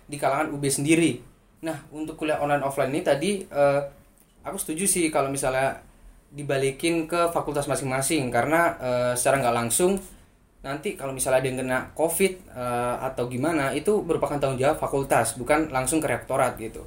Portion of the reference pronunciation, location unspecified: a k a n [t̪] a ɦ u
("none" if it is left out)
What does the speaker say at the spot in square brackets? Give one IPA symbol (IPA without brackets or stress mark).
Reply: t̪